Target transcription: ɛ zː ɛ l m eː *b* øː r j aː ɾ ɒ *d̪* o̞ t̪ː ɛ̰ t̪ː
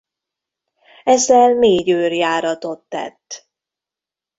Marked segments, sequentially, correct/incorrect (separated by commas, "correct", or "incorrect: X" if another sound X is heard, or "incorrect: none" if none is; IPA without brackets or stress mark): incorrect: ɟ, incorrect: t̪